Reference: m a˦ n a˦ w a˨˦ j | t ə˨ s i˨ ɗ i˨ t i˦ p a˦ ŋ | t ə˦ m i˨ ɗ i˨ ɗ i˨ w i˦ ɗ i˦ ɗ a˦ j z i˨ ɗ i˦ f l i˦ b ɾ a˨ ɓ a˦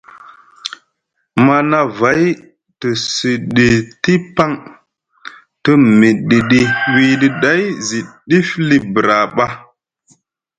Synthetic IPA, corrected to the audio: m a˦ n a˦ v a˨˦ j | t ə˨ s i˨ ɗ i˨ t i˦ p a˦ ŋ | t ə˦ m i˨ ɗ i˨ ɗ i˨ w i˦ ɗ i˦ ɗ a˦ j z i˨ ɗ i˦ f l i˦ b ɾ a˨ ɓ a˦